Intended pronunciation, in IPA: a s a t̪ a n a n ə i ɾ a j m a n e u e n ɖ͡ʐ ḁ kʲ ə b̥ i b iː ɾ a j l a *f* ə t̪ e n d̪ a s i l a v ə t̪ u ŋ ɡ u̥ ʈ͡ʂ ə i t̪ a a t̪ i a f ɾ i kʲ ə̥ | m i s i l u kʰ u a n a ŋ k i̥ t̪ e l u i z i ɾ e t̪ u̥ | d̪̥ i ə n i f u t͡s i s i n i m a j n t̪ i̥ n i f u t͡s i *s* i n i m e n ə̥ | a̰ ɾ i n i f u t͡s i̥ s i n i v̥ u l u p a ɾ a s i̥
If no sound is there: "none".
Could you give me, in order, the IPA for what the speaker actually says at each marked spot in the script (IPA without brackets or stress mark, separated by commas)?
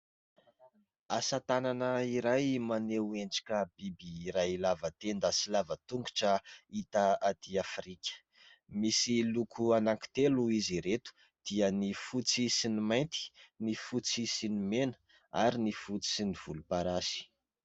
v, s